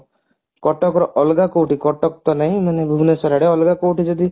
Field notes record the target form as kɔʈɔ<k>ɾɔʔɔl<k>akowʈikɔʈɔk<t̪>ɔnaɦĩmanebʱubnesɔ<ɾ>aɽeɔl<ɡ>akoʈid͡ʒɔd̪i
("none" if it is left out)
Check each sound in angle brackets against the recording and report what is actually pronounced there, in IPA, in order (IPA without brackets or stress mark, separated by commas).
k, ɡ, t̪, ɾ, ɡ